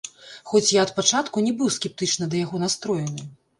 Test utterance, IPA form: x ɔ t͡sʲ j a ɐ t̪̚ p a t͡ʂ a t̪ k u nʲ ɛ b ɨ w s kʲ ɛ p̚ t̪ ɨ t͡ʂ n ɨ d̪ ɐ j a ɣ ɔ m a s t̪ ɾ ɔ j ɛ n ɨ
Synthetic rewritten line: x ɔ t͡sʲ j a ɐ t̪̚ p a t͡ʂ a t̪ k u nʲ ɛ b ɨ w s kʲ ɛ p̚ t̪ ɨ t͡ʂ n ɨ d̪ ɐ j a ɣ ɔ n a s t̪ ɾ ɔ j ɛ n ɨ